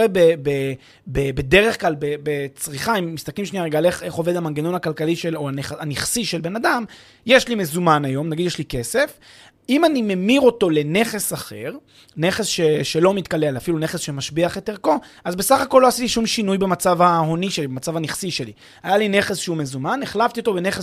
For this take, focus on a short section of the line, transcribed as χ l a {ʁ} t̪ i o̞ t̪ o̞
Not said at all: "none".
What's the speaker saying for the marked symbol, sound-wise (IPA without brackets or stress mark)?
v